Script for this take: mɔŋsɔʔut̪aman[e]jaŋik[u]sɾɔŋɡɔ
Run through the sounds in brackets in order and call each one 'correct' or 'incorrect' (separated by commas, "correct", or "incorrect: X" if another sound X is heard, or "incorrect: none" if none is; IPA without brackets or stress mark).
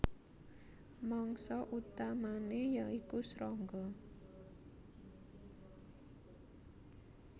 correct, correct